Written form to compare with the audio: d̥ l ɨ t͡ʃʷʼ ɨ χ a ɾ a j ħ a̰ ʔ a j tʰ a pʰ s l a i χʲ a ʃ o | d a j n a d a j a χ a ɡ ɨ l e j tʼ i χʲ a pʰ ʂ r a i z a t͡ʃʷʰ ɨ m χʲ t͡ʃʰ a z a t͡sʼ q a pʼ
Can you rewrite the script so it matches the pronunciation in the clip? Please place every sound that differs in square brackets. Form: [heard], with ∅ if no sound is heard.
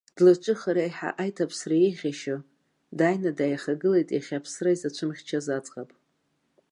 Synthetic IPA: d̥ l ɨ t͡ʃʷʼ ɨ χ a ɾ a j ħ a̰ ʔ a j tʰ a pʰ s [r] a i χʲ a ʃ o | d a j n a d a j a χ a ɡ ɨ l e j tʼ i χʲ a pʰ [s] r a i z a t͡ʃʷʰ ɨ m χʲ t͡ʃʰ a z a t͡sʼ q a pʼ